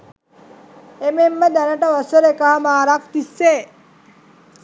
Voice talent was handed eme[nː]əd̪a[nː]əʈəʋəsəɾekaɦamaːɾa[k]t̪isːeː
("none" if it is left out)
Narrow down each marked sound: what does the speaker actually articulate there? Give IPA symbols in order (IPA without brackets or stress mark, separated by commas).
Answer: mː, n, k